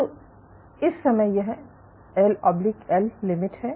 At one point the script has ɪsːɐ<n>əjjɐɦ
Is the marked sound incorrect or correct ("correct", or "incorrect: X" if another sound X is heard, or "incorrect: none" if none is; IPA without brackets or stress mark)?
incorrect: m